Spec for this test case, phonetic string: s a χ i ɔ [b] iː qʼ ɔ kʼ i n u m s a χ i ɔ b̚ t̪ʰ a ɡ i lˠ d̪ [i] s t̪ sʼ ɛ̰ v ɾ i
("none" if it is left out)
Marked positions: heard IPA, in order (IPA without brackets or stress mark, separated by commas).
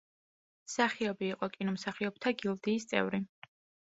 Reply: b, iː